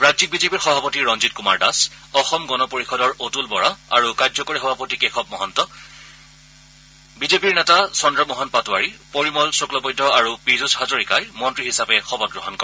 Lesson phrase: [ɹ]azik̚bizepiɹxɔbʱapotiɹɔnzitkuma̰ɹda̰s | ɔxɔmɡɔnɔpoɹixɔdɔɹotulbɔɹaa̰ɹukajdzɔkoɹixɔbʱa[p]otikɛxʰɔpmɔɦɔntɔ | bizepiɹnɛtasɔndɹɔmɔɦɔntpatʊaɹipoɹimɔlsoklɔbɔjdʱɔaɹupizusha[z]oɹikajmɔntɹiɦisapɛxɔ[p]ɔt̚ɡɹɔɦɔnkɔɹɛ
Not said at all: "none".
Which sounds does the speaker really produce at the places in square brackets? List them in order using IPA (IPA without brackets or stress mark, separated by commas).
ɹ, p, z, b